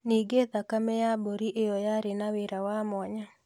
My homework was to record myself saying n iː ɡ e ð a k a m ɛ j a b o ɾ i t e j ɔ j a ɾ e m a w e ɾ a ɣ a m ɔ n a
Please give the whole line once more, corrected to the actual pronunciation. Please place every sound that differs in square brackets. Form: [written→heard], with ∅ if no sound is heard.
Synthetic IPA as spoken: n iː ɡ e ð a k a m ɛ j a b o ɾ i [t→ʔ] e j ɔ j a ɾ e [m→n] a w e ɾ a [ɣ→w] a m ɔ [n→ɲ] a